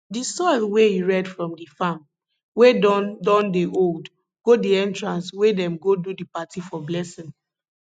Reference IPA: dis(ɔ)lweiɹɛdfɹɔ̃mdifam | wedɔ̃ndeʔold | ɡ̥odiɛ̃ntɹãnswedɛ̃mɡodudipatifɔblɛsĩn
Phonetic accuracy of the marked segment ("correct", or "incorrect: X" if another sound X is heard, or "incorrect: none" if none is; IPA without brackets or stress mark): correct